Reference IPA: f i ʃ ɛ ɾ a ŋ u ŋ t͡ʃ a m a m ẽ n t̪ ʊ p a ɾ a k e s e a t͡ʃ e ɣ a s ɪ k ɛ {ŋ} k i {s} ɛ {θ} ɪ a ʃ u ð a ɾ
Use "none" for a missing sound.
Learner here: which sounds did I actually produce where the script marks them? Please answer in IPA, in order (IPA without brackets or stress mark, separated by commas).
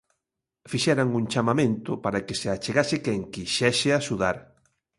ŋ, ʃ, ʃ